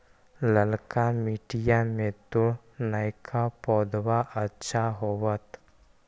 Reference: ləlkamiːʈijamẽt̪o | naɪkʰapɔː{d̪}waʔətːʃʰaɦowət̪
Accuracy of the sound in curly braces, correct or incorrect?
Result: correct